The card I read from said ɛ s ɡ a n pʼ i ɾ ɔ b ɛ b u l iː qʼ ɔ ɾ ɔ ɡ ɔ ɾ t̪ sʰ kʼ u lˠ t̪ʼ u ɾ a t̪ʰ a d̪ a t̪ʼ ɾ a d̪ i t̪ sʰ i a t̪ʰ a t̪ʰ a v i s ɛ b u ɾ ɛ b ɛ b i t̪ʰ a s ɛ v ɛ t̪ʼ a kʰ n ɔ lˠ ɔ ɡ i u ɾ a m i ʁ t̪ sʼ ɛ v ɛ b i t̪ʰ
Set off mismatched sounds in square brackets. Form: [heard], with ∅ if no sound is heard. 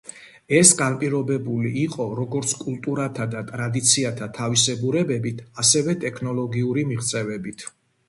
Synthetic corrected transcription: ɛ s ɡ a n pʼ i ɾ ɔ b ɛ b u l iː qʼ ɔ ɾ ɔ ɡ ɔ ɾ t̪ sʰ kʼ u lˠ t̪ʼ u ɾ a t̪ʰ a d̪ a t̪ʼ ɾ a d̪ i t̪ sʰ i a t̪ʰ a t̪ʰ a v i s ɛ b u ɾ ɛ b ɛ b i t̪ʰ a s ɛ v ɛ t̪ʼ [ɛ] kʰ n ɔ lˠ ɔ ɡ i u ɾ [i] m i ʁ t̪ sʼ ɛ v ɛ b i t̪ʰ